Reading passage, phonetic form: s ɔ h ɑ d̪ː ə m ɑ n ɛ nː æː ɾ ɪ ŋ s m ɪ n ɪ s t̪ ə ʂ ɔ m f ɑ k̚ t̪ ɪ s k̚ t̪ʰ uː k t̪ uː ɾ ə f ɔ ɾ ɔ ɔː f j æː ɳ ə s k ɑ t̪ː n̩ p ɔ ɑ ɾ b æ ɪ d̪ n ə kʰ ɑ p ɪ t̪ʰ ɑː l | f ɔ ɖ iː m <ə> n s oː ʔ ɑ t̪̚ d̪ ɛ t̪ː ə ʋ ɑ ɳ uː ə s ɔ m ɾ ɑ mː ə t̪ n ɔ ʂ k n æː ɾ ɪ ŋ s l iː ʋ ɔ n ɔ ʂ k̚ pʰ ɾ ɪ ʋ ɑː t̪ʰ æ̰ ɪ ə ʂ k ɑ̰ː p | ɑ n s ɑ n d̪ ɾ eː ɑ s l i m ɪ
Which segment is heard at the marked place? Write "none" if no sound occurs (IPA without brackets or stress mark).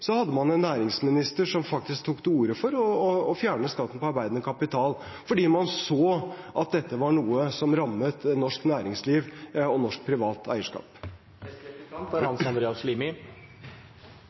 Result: ɑ